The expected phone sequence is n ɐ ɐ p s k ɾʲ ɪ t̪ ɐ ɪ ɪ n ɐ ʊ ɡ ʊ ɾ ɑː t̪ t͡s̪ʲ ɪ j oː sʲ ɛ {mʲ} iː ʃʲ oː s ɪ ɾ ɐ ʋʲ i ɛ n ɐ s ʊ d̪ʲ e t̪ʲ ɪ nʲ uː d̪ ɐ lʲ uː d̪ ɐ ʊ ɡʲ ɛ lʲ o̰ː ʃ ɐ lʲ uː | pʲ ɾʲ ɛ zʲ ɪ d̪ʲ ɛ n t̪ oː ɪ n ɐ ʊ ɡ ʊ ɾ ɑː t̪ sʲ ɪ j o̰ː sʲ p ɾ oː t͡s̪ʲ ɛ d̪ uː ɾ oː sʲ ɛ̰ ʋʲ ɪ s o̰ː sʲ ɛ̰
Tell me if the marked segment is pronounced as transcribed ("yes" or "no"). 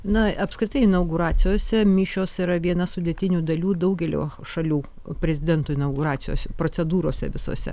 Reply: yes